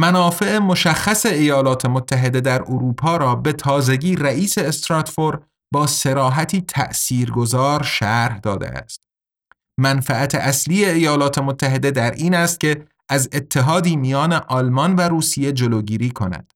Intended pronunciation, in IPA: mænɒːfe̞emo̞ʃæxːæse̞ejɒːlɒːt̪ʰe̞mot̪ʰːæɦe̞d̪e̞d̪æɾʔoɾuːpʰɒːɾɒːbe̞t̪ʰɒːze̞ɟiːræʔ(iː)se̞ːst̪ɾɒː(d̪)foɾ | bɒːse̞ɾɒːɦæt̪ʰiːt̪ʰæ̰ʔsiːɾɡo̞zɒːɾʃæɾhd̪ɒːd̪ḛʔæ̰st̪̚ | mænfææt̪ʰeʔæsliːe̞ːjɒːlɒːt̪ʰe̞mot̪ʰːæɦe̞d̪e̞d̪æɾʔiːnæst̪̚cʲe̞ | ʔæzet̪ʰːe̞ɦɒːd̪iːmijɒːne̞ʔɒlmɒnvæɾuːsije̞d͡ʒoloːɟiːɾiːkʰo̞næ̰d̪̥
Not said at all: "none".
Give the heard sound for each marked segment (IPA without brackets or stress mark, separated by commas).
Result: iː, t̪